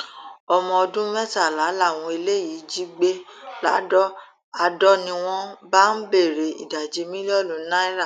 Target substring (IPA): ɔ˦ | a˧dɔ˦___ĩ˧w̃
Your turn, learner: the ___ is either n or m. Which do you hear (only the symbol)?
n